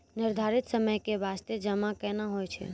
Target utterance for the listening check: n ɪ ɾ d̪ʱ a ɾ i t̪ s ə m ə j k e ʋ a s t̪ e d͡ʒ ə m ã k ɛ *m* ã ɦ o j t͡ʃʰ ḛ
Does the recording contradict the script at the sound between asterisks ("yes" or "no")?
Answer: yes